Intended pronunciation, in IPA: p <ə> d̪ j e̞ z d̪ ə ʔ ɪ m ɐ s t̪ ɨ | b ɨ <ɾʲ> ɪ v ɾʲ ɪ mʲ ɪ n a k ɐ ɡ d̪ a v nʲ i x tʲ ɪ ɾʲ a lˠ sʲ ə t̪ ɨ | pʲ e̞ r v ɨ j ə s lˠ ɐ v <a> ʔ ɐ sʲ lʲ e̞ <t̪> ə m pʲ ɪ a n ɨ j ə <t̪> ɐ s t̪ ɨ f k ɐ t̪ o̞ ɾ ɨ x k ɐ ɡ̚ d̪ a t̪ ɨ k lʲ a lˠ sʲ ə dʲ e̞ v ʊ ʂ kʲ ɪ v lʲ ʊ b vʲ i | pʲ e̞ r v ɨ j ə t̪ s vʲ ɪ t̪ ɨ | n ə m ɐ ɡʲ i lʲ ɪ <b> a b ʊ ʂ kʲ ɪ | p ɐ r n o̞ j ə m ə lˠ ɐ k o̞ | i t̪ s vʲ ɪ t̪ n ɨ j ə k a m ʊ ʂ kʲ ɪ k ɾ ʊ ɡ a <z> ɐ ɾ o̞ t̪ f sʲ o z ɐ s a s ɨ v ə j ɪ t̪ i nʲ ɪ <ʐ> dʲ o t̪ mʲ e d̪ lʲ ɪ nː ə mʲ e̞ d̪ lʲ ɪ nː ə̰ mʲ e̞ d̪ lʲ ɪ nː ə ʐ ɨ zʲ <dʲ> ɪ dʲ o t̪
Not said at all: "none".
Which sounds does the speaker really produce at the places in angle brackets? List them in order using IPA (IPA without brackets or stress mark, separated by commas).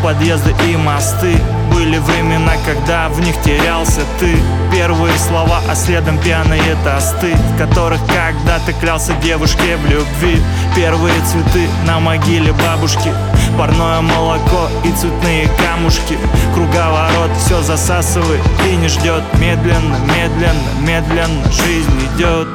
ɐ, lʲ, a, d̪, t̪, b, v, ʐ, nʲ